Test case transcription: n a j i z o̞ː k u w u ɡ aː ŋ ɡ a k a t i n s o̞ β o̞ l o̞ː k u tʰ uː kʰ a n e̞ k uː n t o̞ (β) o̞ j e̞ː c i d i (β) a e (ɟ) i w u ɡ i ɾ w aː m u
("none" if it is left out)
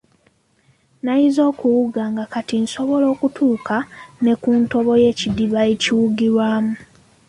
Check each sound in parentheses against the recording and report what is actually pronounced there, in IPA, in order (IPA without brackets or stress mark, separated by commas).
β, β, c